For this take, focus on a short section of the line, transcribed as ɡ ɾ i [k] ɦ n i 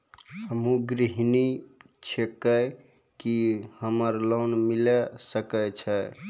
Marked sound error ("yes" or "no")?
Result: yes